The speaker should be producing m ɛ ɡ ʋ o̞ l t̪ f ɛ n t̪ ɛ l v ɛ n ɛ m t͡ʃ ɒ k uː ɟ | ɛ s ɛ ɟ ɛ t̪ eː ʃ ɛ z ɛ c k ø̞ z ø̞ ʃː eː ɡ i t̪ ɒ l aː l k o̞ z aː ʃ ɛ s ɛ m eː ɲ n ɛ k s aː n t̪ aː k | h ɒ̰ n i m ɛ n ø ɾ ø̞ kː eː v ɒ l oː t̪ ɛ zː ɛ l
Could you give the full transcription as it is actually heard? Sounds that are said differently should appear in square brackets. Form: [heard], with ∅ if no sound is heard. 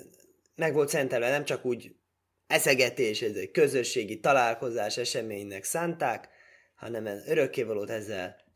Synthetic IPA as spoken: m ɛ ɡ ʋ o̞ l t̪ [s] ɛ n t̪ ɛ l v ɛ n ɛ m t͡ʃ ɒ k uː ɟ | ɛ s ɛ [ɡ] ɛ t̪ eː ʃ ɛ z ɛ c k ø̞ z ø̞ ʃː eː ɡ i t̪ ɒ l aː l k o̞ z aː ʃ ɛ [ʃ] ɛ m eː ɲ n ɛ k s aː n t̪ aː k | h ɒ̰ n [ɛ] m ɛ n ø ɾ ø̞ kː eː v ɒ l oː t̪ ɛ zː ɛ l